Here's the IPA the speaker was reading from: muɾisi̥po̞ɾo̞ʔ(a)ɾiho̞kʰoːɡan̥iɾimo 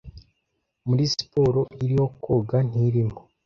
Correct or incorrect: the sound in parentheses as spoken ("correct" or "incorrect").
incorrect